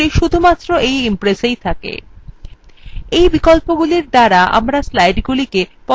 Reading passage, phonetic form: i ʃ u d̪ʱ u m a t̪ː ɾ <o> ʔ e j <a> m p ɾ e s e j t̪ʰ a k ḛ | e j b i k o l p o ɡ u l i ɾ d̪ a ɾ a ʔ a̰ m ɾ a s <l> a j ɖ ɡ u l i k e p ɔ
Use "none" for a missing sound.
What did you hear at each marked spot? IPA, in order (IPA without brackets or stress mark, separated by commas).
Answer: o, i, l